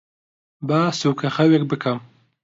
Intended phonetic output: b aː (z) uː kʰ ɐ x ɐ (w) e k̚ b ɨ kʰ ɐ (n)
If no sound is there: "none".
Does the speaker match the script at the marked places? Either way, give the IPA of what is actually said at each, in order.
s, w, m

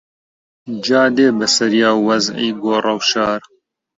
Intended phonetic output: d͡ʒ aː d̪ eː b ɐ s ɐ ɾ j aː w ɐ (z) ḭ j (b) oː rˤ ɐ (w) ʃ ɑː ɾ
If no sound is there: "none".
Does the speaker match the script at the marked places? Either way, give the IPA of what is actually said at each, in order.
z, ɡ, w

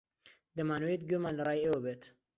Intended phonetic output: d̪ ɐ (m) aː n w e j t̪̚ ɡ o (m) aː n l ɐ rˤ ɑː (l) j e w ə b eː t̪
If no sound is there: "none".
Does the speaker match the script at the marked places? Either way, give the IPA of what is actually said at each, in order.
m, m, none

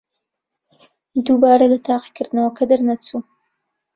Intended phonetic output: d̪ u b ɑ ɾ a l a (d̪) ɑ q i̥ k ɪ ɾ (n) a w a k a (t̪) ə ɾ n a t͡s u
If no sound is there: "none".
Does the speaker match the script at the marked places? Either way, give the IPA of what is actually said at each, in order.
t̪, n, d̪

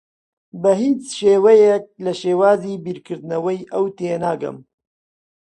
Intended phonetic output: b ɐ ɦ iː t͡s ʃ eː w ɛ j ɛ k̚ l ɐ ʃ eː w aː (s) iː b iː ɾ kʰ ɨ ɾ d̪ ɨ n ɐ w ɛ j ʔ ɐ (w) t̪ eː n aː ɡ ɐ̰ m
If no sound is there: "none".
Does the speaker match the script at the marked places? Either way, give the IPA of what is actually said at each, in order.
z, w

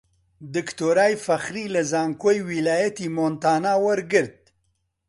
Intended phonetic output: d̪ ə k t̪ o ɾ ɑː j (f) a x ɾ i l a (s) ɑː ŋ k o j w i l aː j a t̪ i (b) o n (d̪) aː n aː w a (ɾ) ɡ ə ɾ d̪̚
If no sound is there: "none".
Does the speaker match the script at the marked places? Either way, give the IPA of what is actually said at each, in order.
f, z, m, t̪, ɾ

